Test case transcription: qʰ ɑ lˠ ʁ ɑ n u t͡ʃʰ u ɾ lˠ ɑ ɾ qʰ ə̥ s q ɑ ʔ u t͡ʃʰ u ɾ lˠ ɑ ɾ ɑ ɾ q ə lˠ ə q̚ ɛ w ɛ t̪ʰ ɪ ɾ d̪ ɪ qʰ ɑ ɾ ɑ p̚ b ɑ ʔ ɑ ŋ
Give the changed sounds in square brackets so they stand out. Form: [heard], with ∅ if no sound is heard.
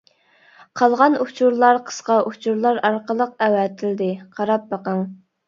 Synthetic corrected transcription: qʰ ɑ lˠ ʁ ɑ n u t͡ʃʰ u ɾ lˠ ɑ ɾ qʰ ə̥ s q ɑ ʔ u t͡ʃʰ u ɾ lˠ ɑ ɾ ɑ ɾ q ə lˠ ə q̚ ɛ w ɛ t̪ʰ ɪ [l] d̪ ɪ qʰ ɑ ɾ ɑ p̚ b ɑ [q] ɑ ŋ